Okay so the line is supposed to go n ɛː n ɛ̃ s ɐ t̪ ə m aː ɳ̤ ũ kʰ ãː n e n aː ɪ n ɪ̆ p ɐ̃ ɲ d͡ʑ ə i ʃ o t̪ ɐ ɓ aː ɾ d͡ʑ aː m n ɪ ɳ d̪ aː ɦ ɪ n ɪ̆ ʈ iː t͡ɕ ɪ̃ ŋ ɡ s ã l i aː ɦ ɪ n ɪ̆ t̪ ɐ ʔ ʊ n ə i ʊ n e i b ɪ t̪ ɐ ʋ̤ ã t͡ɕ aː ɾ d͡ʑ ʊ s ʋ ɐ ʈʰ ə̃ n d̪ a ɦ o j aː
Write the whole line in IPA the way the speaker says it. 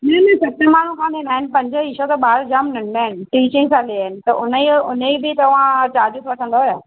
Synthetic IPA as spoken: n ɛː n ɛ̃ s ɐ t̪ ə m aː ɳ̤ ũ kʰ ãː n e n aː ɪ n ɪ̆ p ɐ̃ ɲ d͡ʑ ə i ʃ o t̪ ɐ ɓ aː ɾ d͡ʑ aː m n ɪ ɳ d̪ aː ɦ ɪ n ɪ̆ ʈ iː t͡ɕ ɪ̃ ŋ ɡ s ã l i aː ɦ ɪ n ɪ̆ t̪ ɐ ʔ ʊ n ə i ʊ n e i b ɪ t̪ ɐ ʋ̤ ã t͡ɕ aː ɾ d͡ʑ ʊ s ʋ ɐ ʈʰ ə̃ n d̪ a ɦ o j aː